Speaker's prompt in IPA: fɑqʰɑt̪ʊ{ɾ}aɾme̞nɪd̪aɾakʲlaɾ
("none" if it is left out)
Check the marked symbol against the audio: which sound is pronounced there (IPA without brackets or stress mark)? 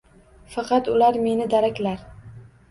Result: l